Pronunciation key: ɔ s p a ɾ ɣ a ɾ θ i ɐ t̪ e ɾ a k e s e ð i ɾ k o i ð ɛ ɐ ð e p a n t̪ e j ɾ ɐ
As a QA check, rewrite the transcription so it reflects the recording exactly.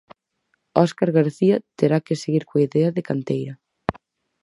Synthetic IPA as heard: ɔ s k a ɾ ɣ a ɾ θ i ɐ t̪ e ɾ a k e s e ɣ i ɾ k o i ð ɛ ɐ ð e k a n t̪ e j ɾ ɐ